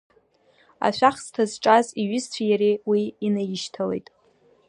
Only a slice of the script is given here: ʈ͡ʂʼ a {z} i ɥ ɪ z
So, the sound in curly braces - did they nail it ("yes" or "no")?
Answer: yes